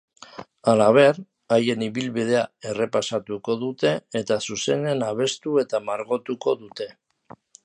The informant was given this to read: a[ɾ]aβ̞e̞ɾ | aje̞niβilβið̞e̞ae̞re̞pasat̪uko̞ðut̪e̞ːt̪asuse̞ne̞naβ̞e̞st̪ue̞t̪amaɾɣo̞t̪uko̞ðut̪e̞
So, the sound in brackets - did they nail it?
no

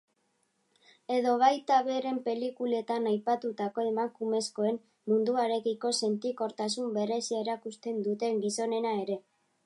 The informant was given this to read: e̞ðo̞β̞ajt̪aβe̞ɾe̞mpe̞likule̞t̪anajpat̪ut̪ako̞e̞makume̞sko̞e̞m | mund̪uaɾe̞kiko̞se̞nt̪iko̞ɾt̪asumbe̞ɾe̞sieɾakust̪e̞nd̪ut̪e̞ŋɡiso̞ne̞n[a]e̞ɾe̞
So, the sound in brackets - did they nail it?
yes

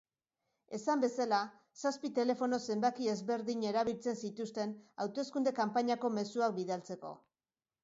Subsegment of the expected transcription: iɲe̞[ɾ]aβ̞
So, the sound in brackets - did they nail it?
yes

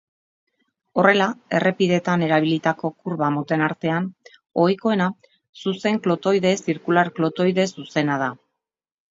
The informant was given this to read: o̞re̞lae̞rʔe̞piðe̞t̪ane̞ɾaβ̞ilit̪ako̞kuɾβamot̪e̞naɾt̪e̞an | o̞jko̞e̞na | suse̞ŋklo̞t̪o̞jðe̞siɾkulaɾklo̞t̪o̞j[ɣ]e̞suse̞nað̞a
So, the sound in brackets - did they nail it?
no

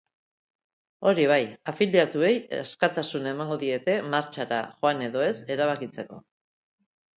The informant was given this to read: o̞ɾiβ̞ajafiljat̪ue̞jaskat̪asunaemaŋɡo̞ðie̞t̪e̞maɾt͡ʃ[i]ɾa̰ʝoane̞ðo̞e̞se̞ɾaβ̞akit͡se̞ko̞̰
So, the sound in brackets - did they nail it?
no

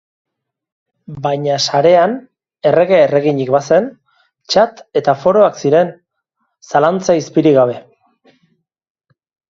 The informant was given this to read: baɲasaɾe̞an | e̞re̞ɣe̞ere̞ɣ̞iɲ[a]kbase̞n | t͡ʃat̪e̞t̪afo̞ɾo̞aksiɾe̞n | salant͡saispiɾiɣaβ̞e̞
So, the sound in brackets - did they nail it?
no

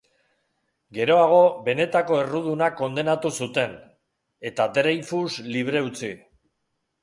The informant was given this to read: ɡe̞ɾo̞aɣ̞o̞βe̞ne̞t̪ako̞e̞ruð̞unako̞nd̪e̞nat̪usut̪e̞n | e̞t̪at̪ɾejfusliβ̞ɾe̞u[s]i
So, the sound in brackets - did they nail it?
no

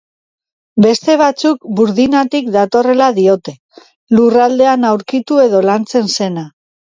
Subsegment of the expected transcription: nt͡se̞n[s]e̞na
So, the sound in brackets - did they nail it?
yes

